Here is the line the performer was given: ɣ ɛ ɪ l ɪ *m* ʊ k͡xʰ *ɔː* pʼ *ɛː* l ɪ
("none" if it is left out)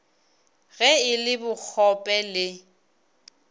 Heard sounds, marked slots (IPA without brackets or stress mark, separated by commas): b, ɔ, ɛ